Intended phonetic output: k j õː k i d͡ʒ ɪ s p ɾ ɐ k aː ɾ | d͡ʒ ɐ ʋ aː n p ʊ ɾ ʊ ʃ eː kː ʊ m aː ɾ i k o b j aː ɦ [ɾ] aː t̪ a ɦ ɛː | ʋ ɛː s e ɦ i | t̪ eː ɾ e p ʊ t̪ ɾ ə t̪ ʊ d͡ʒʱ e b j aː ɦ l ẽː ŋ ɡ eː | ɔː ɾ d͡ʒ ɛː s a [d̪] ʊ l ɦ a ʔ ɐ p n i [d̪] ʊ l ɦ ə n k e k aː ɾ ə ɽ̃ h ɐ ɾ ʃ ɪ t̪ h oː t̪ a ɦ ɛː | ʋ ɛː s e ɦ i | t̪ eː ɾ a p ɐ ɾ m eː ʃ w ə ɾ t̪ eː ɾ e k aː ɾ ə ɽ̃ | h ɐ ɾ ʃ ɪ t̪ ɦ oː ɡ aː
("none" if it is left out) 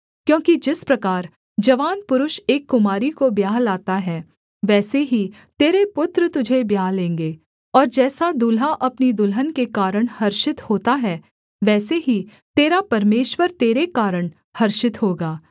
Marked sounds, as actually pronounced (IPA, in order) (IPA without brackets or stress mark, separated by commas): l, d̪, d̪